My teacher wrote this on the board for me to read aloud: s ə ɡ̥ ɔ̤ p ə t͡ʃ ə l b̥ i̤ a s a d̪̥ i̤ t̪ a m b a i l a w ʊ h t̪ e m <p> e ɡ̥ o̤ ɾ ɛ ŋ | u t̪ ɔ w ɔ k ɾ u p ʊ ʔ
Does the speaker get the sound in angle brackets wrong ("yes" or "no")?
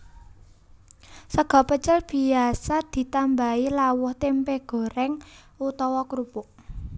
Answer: no